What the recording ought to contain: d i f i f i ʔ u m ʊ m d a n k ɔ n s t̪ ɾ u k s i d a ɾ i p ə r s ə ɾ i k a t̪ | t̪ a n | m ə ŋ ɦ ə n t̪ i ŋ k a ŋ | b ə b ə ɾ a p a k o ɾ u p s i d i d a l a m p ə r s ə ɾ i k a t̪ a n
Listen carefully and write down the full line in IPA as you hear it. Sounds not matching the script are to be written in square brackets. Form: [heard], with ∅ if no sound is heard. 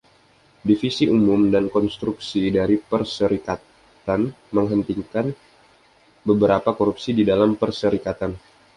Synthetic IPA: d i f i [s] i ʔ u m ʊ m d a n k ɔ n s t̪ ɾ u k s i d a ɾ i p ə r s ə ɾ i k a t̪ | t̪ a n | m ə ŋ ɦ ə n t̪ i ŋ k a [n] | b ə b ə ɾ a p a k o ɾ u p s i d i d a l a m p ə r s ə ɾ i k a t̪ a n

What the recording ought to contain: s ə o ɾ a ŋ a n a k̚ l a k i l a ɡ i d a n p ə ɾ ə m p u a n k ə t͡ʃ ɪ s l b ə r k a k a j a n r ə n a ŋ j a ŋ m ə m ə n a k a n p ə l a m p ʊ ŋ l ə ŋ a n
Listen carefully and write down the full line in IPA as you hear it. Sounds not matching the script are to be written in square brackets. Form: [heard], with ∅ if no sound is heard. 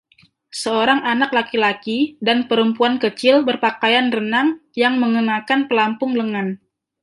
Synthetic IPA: s ə o ɾ a ŋ a n a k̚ l a k i l a [k] i d a n p ə ɾ ə m p u a n k ə t͡ʃ ɪ [∅] l b ə r [p] a k a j a n r ə n a ŋ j a ŋ m ə [ŋ] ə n a k a n p ə l a m p ʊ ŋ l ə ŋ a n

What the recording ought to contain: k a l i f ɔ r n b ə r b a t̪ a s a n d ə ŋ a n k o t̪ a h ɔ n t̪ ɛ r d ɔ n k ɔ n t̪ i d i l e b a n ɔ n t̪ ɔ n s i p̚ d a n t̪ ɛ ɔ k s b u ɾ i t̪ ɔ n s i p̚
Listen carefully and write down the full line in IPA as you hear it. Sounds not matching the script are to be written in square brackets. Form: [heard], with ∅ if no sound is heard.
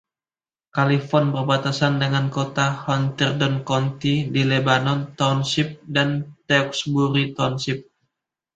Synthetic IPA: k a l i f ɔ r n b ə r b a t̪ a s a n d ə ŋ a n k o t̪ a h ɔ n t̪ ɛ r d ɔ n k ɔ n t̪ i d i l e b a n ɔ n t̪ ɔ n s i p̚ d a n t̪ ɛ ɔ k s b u ɾ i t̪ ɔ n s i p̚

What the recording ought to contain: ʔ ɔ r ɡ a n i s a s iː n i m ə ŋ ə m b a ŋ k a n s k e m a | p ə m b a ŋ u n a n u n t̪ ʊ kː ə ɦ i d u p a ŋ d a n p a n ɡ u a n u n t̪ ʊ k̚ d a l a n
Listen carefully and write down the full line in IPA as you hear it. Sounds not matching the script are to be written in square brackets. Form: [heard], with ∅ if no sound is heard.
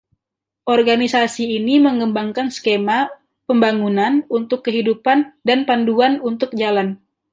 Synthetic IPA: ʔ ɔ r ɡ a n i s a s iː n i m ə ŋ ə m b a ŋ k a n s k e m a | p ə m b a ŋ u n a n u n t̪ ʊ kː ə ɦ i d u p a [n] d a n p a n [d] u a n u n t̪ ʊ k̚ [d͡ʒ] a l a n

